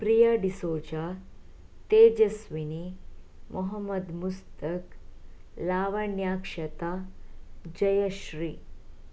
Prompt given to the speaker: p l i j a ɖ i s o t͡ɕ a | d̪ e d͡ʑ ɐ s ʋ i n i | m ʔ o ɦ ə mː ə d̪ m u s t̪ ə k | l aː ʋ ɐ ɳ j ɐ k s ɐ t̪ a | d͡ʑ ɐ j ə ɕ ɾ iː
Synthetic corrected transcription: p ɾ i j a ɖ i s o t͡ɕ a | t̪ e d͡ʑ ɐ s ʋ i n i | m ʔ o ɦ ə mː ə d̪ m u s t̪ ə k | l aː ʋ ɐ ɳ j a k ʂ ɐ t̪ a | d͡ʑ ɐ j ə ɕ ɾ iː